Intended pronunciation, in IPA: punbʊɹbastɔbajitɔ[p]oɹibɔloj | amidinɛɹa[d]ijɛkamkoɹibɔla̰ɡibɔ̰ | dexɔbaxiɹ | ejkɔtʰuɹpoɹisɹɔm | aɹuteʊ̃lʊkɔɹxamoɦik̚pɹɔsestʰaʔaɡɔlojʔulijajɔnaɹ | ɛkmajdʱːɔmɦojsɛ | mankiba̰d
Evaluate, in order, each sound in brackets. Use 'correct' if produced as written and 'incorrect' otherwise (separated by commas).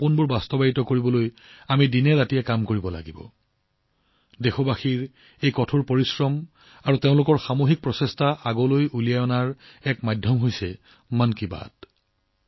incorrect, incorrect